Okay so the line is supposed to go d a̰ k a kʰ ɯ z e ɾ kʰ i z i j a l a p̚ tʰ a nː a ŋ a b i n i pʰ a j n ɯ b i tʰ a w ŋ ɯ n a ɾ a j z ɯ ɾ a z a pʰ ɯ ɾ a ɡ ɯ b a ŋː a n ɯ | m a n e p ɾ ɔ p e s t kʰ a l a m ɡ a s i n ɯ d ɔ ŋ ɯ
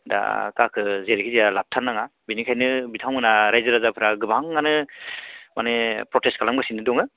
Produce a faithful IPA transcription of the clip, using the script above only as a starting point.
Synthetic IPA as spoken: d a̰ k a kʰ ɯ z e ɾ kʰ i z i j a l a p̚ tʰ a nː a ŋ a b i n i kʰ a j n ɯ b i tʰ a w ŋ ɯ n a ɾ a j z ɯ ɾ a z a pʰ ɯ ɾ a ɡ ɯ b a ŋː a n ɯ | m a n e p ɾ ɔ t e s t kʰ a l a m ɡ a s i n ɯ d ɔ ŋ ɯ